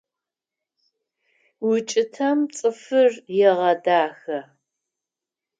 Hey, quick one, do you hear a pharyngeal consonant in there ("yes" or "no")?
no